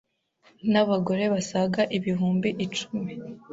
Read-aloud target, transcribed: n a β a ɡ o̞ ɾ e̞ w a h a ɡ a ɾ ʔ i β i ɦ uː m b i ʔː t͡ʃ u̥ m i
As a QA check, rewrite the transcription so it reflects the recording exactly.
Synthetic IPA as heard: n a β a ɡ o̞ ɾ e̞ β a s a ɡ a ʔ i β i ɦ uː m b i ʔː t͡ʃ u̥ m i

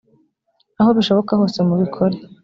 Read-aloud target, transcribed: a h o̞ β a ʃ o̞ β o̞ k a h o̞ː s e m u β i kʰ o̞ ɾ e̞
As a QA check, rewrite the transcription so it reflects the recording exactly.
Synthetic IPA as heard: a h o̞ β i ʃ o̞ β o̞ k a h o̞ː s e m u β i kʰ o̞ ɾ e̞

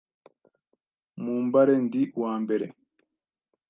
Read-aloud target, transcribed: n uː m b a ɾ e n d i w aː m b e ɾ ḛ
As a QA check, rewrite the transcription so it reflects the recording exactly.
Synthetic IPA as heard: m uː m b a ɾ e n d i w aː m b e ɾ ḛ

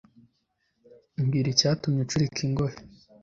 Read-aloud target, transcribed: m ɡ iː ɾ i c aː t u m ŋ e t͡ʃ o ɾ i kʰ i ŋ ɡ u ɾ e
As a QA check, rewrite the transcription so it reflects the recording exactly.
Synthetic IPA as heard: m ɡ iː ɾ i c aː t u m ɲ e t͡ʃ u ɾ i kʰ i ŋ ɡ o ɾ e

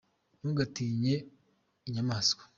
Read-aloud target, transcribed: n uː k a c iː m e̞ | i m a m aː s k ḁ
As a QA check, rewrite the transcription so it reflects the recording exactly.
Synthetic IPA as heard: n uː ɡ a t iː ɲ e̞ | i ɲ a m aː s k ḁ

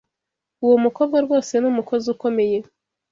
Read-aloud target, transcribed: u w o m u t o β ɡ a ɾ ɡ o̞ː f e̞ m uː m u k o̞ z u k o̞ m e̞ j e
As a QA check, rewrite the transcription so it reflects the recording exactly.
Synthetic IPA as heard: u w o m u k o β ɡ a ɾ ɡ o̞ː s e̞ n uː m u k o̞ z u k o̞ m e̞ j e

